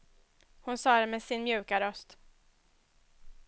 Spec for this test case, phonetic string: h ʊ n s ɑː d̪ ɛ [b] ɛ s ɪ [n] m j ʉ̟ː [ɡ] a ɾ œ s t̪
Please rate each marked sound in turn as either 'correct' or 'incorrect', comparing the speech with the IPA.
incorrect, correct, incorrect

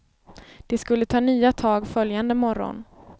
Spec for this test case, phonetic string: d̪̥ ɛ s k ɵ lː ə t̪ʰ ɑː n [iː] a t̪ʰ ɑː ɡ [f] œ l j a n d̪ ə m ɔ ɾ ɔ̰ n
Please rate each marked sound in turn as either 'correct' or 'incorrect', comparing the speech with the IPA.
incorrect, correct

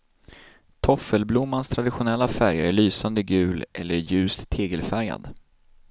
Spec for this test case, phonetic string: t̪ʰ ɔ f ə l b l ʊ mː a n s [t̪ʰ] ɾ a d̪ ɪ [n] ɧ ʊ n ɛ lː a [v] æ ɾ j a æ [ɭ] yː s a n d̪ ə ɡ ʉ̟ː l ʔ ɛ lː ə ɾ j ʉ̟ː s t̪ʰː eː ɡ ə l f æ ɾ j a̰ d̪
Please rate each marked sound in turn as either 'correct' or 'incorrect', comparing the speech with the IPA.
correct, incorrect, incorrect, correct

